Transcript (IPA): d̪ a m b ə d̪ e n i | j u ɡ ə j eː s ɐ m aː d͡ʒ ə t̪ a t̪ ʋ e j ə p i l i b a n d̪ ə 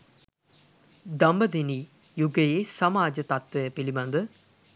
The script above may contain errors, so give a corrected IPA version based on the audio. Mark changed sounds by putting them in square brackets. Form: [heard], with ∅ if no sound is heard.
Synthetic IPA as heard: d̪ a m b ə d̪ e n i | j u ɡ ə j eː s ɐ m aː d͡ʒ ə t̪ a t̪ ʋ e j ə p i l i b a n d̪ ə